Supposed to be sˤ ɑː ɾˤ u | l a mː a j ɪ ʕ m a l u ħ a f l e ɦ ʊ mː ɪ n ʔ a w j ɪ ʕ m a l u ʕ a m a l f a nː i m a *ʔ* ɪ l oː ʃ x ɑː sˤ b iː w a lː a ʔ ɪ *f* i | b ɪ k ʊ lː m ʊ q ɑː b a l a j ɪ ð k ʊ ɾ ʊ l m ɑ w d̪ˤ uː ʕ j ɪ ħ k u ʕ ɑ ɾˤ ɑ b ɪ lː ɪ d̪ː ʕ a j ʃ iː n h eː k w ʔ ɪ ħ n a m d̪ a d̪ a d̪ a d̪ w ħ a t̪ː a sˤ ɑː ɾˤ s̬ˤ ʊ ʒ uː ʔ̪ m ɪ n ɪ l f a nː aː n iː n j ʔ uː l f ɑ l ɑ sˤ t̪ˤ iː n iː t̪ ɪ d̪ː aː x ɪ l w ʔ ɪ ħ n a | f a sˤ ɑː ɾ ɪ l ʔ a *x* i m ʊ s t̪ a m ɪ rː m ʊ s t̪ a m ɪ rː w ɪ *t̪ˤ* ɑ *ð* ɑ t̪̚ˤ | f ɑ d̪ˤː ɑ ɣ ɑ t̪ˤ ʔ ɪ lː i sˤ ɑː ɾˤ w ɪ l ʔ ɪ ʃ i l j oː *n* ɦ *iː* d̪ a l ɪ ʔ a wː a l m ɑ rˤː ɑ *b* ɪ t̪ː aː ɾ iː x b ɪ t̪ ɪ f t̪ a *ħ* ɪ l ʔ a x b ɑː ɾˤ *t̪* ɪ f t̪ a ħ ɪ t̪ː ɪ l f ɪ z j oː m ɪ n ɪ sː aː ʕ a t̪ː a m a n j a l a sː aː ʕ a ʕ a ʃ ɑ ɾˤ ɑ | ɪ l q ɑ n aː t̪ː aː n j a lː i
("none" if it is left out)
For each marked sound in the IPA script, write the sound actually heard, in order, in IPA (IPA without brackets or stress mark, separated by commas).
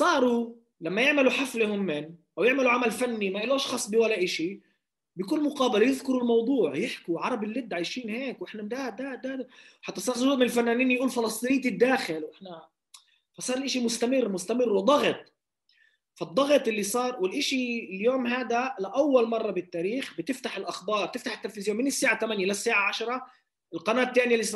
ʔ, ʃ, ʃ, d̪ˤ, ɣ, m, aː, b, ħ, t̪